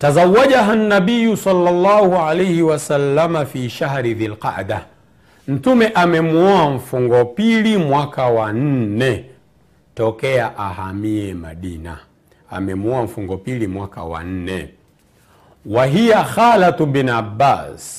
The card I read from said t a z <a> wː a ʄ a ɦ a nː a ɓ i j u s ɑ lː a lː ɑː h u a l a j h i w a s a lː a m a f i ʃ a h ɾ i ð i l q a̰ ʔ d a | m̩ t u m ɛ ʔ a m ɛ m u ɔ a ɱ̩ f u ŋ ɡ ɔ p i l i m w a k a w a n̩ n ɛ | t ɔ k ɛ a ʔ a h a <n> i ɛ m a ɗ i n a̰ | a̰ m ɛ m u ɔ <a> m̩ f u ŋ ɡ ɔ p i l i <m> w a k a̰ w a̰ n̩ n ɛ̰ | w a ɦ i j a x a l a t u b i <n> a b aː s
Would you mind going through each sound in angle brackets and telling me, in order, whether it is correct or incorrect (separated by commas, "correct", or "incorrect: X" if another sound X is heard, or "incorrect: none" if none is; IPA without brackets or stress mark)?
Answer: correct, incorrect: m, correct, correct, correct